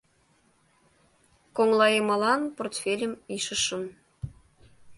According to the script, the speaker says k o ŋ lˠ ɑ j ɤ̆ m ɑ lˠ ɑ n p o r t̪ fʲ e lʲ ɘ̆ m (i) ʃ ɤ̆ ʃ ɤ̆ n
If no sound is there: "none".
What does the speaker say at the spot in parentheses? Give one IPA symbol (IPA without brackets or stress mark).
i